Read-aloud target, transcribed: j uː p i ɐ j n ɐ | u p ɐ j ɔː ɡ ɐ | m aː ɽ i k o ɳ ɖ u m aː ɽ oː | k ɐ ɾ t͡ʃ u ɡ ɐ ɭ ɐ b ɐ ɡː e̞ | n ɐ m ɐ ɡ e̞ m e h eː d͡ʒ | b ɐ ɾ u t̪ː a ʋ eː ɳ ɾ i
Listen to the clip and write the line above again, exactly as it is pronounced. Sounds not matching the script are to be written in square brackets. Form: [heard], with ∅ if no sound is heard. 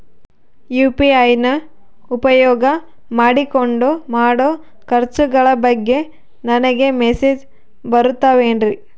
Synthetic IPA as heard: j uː p i ɐ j n ɐ | u p ɐ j ɔː ɡ ɐ | m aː ɽ i k o ɳ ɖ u m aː ɽ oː | k ɐ ɾ t͡ʃ u ɡ ɐ ɭ ɐ b ɐ ɡː e̞ | n ɐ [n] ɐ ɡ e̞ m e [s] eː d͡ʒ | b ɐ ɾ u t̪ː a ʋ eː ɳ ɾ i